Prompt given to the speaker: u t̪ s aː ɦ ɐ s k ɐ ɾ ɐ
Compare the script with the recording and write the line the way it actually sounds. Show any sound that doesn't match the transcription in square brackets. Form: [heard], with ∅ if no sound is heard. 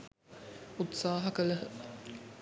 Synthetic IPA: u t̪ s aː ɦ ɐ [∅] k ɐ [l] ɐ

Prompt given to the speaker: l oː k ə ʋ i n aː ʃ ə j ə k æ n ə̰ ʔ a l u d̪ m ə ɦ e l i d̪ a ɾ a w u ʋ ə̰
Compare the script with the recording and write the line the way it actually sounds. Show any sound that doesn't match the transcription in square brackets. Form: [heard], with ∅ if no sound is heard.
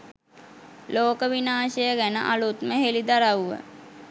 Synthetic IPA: l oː k ə ʋ i n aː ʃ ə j ə [ɡ] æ n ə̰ ʔ a l u [t̪] m ə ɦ e l i d̪ a ɾ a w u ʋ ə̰

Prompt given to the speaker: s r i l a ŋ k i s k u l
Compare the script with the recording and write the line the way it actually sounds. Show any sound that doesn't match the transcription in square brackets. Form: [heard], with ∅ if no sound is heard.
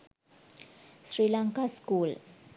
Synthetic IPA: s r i l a ŋ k [a] s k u l

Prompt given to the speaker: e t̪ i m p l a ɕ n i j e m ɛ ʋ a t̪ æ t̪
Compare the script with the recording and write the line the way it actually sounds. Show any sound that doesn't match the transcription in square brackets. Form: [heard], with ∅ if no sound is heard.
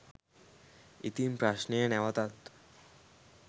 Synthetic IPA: [i] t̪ i m p [ɾ] a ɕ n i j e [n] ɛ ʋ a t̪ [a] t̪

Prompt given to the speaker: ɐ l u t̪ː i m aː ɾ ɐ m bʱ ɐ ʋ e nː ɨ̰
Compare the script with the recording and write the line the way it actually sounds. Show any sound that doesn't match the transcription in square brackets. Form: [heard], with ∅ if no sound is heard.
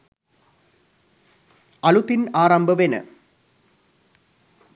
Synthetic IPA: ɐ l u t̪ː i [n] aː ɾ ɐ m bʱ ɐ ʋ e [n] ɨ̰

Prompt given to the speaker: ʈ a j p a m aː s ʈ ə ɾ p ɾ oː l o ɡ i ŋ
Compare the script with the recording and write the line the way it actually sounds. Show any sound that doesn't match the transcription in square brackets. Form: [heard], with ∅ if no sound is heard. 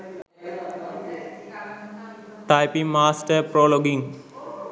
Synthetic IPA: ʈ a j p [i] m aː s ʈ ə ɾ p ɾ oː l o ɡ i ŋ

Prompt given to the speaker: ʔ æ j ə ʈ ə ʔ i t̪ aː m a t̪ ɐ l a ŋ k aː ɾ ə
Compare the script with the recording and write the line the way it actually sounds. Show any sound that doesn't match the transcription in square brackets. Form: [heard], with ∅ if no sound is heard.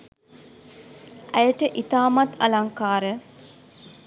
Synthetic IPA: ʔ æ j ə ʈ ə ʔ i t̪ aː m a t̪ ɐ l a ŋ k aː ɾ ə

